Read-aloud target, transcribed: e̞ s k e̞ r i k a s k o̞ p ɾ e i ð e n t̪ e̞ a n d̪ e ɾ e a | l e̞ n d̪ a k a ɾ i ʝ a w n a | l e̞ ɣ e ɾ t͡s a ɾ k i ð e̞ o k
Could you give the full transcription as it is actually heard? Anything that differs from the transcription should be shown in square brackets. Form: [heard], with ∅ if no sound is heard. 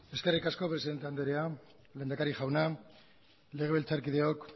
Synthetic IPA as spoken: e̞ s k e̞ r i k a s k o̞ p ɾ e i ð e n t̪ e̞ a n d̪ e ɾ e a | l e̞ n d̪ a k a ɾ i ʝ a w n a | l e̞ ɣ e [l] t͡s a ɾ k i ð e̞ o k